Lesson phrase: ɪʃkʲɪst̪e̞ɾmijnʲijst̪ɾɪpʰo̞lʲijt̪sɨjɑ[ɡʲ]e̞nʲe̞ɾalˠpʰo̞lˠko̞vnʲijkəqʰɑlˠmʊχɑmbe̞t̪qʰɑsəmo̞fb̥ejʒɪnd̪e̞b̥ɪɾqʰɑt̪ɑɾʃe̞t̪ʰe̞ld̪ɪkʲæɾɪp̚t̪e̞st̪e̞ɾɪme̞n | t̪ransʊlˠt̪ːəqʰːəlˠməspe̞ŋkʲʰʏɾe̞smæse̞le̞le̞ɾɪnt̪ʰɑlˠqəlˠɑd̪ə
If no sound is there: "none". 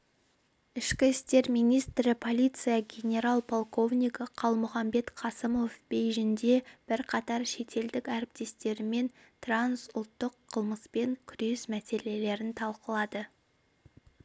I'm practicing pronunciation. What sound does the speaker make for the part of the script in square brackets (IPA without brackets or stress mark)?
ɡʲ